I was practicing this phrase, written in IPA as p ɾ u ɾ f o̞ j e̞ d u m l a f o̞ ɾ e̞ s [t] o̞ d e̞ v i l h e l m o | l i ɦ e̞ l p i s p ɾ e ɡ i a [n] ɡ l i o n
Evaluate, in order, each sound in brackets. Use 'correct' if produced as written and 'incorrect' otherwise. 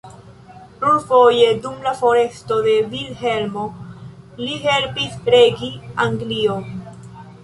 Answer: correct, incorrect: ŋ

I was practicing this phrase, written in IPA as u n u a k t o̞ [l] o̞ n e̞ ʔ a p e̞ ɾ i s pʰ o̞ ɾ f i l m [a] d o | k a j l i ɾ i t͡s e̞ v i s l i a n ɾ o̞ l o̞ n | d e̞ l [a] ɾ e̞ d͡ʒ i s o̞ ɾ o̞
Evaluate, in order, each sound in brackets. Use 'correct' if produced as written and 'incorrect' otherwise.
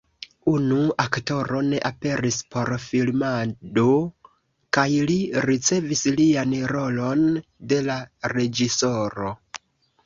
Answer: incorrect: ɾ, correct, correct

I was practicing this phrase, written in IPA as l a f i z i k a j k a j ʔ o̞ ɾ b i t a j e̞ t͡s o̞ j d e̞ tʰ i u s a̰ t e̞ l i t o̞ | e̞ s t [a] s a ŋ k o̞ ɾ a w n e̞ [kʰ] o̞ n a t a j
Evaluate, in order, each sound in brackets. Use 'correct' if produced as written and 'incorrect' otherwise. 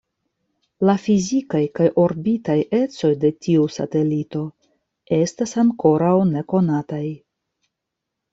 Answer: correct, incorrect: k

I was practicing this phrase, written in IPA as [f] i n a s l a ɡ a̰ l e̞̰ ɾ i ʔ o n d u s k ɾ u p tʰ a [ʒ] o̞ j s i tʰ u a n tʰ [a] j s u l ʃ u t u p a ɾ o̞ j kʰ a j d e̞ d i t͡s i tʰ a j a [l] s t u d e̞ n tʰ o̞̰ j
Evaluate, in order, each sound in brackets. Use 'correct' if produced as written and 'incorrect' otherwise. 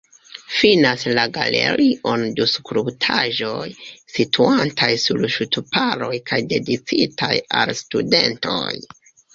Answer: correct, correct, correct, correct

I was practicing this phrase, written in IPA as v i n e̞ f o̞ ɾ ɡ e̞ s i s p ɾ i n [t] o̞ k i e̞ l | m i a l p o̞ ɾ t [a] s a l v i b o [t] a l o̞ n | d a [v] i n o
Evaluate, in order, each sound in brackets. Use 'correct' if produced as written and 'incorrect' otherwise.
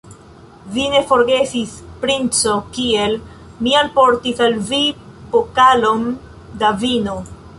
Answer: incorrect: t͡s, incorrect: i, incorrect: k, correct

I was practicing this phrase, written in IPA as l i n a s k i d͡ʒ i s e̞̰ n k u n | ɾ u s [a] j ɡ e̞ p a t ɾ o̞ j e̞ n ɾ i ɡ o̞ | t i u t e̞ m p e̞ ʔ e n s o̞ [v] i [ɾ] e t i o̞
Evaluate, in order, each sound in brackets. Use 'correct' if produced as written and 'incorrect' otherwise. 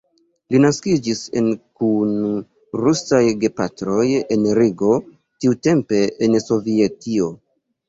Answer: correct, correct, incorrect: none

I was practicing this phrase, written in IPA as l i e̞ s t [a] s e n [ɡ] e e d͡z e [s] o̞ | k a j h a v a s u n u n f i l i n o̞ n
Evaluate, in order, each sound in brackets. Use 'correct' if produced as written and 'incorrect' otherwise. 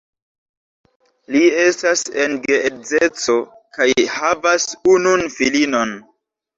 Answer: correct, correct, incorrect: t͡s

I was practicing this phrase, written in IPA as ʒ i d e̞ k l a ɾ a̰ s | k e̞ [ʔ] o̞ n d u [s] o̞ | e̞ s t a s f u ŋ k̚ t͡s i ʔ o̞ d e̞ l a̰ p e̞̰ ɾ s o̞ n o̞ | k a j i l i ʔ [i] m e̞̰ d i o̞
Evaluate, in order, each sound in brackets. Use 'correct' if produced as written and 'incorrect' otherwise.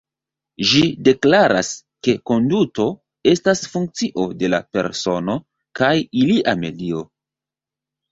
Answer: incorrect: k, incorrect: t, incorrect: a

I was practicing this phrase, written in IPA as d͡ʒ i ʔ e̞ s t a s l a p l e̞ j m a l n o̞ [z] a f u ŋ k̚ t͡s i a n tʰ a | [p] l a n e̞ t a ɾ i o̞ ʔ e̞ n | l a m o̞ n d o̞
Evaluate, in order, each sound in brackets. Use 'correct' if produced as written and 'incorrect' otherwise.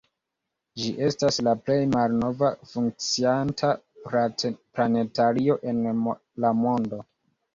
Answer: incorrect: v, correct

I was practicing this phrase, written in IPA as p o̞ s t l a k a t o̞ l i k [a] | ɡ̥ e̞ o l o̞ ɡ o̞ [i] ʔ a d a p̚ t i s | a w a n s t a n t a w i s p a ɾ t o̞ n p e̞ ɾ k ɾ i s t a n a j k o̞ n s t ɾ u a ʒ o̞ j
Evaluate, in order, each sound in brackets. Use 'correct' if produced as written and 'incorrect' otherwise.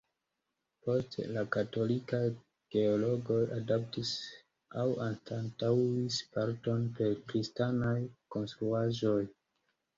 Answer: correct, incorrect: j

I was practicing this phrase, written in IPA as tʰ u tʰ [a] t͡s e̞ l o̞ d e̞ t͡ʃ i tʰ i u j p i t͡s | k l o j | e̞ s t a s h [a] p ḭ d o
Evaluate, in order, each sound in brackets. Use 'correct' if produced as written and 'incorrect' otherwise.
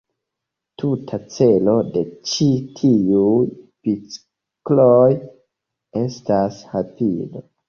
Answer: correct, correct

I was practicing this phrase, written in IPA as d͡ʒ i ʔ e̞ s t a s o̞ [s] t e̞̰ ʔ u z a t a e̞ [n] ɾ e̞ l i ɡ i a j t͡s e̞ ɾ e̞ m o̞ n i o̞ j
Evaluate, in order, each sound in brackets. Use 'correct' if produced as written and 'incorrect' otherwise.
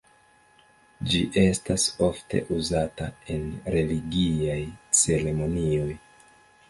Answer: incorrect: f, correct

